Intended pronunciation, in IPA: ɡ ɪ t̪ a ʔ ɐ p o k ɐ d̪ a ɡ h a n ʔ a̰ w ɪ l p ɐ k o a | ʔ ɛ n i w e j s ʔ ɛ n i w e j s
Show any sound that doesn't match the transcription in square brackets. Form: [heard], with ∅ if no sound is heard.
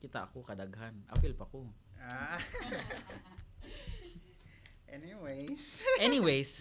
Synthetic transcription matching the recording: [k] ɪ t̪ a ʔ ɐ [k] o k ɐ d̪ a ɡ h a n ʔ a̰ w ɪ l p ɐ k o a | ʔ ɛ n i w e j s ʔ ɛ n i w e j s